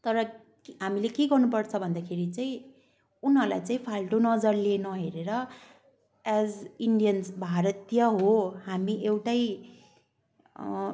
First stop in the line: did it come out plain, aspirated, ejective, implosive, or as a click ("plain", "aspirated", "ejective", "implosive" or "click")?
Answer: plain